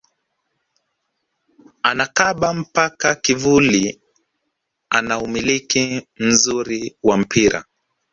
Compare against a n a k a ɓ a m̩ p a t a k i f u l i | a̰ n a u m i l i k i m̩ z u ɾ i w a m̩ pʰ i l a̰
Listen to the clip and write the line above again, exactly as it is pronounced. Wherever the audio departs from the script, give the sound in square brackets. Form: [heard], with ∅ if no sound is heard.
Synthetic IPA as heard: a n a k a ɓ a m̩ p a [k] a k i [v] u l i | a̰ n a u m i l i k i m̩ z u ɾ i w a m̩ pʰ i [ɾ] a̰